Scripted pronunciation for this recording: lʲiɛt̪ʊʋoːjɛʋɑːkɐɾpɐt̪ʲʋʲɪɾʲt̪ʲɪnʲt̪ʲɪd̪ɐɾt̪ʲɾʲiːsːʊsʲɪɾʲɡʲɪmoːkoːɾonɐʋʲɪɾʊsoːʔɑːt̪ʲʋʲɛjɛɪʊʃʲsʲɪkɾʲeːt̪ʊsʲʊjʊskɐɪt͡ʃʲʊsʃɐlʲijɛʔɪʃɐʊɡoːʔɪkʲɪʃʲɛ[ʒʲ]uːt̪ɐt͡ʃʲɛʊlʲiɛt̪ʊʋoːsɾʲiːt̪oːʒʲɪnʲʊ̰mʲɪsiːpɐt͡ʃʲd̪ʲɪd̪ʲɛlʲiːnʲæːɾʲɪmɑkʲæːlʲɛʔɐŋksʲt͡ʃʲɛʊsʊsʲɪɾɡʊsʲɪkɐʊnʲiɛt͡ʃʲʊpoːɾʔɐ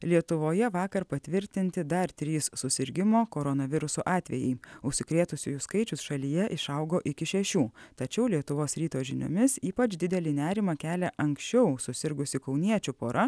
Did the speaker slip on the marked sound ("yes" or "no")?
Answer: yes